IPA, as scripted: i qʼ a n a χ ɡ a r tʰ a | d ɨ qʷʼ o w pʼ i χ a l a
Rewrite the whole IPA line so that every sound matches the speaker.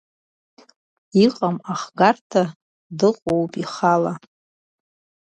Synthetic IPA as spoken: i qʼ a m a χ ɡ a r tʰ a | d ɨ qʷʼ o w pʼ i χ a l a